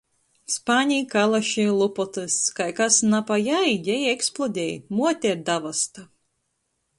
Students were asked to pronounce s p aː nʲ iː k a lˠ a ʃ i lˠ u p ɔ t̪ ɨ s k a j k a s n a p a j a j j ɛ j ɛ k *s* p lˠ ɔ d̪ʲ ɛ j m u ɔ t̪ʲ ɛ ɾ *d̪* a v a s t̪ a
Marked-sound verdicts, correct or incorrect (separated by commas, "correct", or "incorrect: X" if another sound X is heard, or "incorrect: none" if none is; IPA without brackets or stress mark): correct, correct